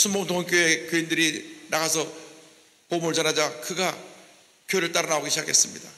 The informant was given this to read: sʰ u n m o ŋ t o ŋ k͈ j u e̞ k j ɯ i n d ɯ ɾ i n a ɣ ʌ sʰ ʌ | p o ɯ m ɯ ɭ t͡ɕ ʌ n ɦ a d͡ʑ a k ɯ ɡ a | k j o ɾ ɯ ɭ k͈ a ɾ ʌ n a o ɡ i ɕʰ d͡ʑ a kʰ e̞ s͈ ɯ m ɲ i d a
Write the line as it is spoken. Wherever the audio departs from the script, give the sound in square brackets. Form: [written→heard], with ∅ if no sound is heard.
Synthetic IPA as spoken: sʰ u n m o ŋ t o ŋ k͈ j [u→o] e̞ k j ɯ i n d ɯ ɾ i n a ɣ [ʌ→a] sʰ ʌ | p o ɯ m ɯ ɭ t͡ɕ ʌ n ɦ a d͡ʑ a k ɯ ɡ a | k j o ɾ ɯ ɭ [k͈→t͈] a ɾ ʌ n a o ɡ i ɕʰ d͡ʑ a kʰ e̞ s͈ ɯ m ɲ i d a